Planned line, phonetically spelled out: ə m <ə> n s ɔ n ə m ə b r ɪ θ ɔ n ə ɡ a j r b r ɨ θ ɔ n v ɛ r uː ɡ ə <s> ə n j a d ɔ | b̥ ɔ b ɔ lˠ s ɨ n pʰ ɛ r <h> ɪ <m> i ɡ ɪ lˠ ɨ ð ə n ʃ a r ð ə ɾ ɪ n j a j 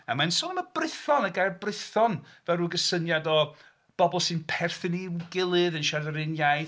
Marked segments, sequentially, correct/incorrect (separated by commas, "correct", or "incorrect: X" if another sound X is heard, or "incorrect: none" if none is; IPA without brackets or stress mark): incorrect: a, correct, incorrect: θ, incorrect: n